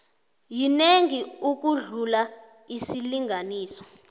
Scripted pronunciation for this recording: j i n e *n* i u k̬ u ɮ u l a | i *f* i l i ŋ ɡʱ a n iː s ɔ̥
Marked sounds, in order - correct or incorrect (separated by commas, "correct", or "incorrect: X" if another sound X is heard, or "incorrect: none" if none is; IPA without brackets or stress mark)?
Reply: incorrect: ŋ, incorrect: s